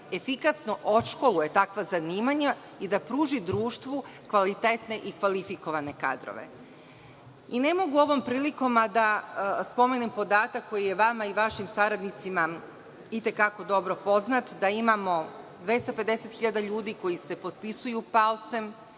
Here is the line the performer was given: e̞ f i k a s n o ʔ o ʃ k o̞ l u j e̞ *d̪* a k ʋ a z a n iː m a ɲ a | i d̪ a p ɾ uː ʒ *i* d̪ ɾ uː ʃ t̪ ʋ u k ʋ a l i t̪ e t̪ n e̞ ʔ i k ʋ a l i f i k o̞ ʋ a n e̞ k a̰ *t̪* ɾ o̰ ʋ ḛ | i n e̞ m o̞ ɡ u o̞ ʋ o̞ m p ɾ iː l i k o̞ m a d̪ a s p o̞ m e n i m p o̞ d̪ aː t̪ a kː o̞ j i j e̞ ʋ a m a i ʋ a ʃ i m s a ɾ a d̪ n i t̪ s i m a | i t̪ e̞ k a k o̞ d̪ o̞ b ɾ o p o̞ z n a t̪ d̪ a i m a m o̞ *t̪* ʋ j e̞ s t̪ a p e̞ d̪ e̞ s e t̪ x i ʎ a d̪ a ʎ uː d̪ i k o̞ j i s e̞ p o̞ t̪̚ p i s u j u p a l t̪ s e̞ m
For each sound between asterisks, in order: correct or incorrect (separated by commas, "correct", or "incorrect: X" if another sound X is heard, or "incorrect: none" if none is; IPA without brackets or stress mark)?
incorrect: t̪, correct, incorrect: d̪, incorrect: d̪